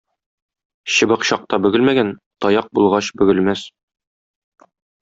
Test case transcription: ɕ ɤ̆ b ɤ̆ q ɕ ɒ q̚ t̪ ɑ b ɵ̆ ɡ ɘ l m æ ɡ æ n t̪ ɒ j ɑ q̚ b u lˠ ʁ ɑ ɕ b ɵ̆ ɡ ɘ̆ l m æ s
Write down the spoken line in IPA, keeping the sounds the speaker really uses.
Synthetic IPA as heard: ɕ ɤ̆ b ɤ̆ q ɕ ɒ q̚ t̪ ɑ b ɵ̆ ɡ ɘ l m æ ɡ æ n t̪ ɒ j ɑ q̚ b u lˠ ʁ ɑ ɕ b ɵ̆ ɡ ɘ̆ l m æ s